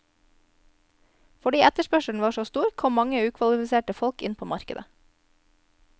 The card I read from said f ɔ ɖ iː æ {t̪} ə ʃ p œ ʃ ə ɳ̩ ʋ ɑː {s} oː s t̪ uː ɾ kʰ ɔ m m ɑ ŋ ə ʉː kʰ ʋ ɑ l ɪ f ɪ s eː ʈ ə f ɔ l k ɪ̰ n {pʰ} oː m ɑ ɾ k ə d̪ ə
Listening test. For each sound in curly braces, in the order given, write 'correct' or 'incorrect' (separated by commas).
correct, incorrect, correct